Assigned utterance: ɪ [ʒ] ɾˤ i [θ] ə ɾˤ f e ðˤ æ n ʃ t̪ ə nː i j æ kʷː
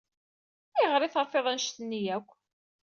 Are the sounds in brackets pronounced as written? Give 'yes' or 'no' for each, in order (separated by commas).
no, yes